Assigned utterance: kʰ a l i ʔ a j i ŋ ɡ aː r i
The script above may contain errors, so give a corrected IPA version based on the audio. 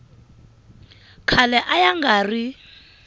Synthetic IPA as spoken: kʰ a l ɛ ʔ a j a ŋ ɡ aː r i

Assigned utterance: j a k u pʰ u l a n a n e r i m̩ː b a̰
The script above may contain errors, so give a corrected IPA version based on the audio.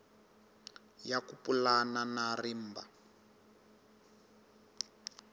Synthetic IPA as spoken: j a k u p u l a n a n a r i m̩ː b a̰

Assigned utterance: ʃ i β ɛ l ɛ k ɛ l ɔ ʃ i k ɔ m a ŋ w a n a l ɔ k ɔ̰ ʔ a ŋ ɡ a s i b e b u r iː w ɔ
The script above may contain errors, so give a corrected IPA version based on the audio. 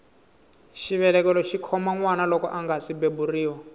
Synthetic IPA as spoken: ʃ i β ɛ l ɛ k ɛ l ɔ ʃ i kʰ ɔ m a ŋ w a n a l ɔ k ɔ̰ ʔ a ŋ ɡ a s i b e b u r iː w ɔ

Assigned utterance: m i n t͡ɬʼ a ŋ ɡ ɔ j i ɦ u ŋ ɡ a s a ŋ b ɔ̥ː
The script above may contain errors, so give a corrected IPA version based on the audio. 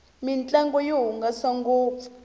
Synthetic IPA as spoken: m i n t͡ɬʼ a ŋ ɡ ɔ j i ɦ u ŋ ɡ a s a ŋ ɡ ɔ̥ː

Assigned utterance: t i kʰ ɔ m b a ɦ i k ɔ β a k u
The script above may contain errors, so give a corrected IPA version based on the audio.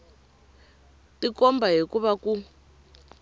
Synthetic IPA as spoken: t i k ɔ m b a ɦ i k u β a k u

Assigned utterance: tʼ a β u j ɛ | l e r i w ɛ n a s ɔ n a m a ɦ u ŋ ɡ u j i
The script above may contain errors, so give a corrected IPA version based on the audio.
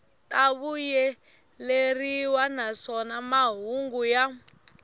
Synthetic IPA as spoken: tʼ a β u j ɛ | l e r i w a n a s ɔ n a m a ɦ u ŋ ɡ u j a

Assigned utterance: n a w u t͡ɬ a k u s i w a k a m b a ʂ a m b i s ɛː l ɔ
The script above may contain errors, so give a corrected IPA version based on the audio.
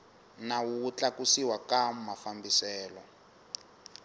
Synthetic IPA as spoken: n a w u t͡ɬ a k u s i w a k a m m a f a m b i s ɛː l ɔ

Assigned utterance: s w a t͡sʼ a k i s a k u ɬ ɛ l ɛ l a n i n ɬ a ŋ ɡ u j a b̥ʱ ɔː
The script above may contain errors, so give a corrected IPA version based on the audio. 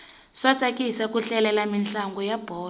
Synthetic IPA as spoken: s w a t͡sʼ a k i s a k u ɬ ɛ l ɛ l a m i n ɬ a ŋ ɡ ɔ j a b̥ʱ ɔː

